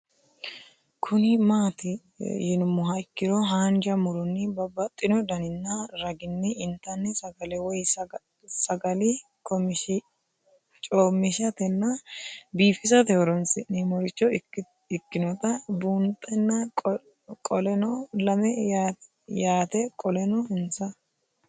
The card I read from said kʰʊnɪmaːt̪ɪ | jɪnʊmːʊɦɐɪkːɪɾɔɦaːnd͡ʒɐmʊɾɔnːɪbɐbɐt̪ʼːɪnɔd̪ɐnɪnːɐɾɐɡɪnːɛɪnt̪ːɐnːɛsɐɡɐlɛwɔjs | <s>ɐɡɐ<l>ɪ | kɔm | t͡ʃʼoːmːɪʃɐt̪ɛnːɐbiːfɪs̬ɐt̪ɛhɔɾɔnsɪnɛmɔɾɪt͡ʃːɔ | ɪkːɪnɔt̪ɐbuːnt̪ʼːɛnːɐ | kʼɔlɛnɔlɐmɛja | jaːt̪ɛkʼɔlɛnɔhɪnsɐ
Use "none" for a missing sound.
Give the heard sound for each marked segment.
s, l

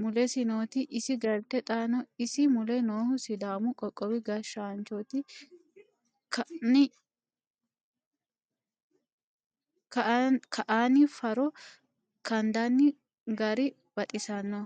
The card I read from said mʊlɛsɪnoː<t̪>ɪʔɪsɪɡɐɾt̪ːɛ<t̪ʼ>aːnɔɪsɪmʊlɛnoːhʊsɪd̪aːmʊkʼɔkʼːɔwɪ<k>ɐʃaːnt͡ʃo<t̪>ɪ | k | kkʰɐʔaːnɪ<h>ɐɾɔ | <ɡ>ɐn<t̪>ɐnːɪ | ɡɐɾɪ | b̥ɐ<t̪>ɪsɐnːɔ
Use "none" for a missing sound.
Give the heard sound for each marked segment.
t̪, t̪ʼ, ɡ, t̪, f, k, d̪, t̪ʼ

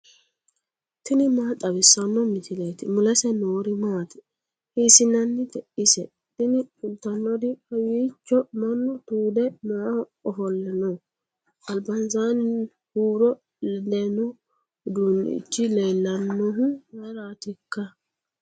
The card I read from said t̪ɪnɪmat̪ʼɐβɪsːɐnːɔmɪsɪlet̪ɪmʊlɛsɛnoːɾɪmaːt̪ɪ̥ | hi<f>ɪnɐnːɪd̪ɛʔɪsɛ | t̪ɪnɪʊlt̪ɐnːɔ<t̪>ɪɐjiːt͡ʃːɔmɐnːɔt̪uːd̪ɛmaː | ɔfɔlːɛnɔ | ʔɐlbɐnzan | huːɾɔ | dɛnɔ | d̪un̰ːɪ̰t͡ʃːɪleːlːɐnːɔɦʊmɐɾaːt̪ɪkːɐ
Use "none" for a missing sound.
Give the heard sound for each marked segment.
s, d̪

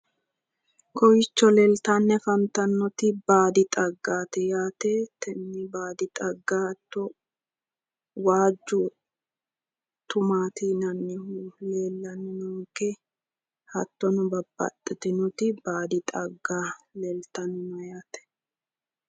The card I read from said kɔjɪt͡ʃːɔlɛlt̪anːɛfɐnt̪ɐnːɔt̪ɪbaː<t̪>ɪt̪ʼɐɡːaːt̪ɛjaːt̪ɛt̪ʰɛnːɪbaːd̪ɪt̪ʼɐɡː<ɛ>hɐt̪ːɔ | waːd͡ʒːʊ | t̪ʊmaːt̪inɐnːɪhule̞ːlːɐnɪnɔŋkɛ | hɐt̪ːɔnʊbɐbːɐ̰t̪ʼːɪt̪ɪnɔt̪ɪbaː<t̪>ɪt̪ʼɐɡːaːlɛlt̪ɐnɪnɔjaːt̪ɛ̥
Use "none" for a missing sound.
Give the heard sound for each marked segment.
d̪, a, d̪

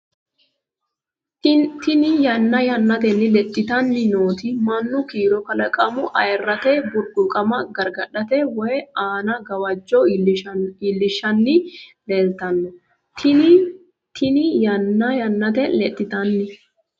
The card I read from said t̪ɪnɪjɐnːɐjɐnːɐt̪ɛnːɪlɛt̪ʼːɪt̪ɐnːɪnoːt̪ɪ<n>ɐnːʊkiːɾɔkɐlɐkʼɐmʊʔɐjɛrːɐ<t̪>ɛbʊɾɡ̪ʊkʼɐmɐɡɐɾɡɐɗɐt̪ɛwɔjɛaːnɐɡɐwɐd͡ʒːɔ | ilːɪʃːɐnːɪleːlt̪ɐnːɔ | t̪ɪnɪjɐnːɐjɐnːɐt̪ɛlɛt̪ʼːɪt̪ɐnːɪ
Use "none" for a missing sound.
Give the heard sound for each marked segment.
m, t̪

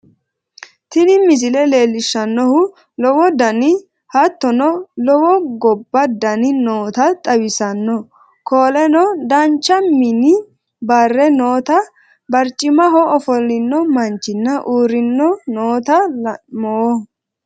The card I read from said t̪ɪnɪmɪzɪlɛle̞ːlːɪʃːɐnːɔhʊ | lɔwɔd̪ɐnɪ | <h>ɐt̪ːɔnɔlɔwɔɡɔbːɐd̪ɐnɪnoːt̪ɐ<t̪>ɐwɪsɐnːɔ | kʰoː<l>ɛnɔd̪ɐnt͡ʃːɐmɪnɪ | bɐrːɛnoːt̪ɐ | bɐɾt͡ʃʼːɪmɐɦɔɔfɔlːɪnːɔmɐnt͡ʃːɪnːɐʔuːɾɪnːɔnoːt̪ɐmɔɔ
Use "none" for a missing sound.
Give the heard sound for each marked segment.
h, t̪ʼ, l

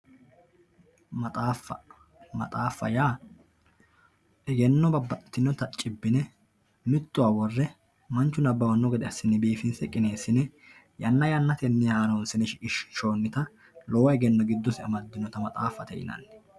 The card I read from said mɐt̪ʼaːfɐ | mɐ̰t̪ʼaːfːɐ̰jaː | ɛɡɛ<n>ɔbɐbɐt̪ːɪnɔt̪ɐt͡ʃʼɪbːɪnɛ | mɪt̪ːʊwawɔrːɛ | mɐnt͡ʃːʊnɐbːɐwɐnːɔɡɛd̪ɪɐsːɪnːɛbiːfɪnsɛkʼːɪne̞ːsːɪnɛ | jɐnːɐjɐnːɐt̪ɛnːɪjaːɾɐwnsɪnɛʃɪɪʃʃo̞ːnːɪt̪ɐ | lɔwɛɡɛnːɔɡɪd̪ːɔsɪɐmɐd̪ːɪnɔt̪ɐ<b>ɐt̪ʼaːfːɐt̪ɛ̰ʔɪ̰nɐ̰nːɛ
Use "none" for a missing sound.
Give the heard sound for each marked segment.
nː, m

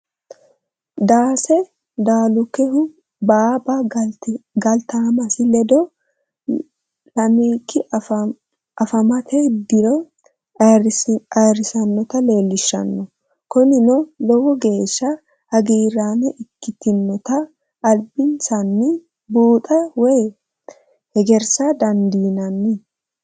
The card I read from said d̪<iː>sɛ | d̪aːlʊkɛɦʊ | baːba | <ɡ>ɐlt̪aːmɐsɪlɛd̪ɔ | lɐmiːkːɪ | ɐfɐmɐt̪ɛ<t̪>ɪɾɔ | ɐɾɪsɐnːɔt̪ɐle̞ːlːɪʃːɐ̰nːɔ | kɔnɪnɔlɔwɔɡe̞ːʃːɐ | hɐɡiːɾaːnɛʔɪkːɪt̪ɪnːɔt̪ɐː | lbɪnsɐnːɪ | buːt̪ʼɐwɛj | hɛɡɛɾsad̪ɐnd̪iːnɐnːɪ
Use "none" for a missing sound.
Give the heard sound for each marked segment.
aː, ɡ, d̪

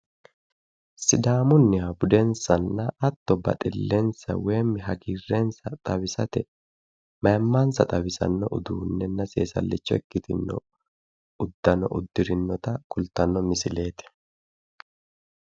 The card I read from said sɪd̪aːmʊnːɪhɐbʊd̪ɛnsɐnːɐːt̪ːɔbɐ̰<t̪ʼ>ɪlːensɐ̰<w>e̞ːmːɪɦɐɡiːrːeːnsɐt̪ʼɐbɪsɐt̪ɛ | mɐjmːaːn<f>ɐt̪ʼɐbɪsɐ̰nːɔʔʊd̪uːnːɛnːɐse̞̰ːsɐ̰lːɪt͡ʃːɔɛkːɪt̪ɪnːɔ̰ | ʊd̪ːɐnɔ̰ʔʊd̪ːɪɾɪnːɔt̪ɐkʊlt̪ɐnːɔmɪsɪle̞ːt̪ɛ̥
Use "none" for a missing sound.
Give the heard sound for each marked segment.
t̪ʼ, w, s

